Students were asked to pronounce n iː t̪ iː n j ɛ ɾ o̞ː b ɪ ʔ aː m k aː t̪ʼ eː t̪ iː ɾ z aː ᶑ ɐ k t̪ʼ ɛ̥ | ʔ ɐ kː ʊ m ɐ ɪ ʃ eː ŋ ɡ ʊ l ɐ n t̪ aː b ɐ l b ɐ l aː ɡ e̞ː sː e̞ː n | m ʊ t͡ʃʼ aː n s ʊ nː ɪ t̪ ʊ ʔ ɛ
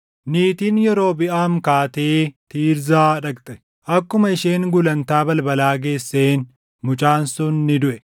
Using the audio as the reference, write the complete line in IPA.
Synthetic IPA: n iː t̪ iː n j ɛ ɾ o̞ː b ɪ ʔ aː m k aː t̪ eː t̪ iː ɾ z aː ᶑ ɐ k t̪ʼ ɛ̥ | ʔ ɐ kː ʊ m ɐ ɪ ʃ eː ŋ ɡ ʊ l ɐ n t̪ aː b ɐ l b ɐ l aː ɡ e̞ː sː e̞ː n | m ʊ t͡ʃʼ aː n s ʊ nː ɪ d̪ ʊ ʔ ɛ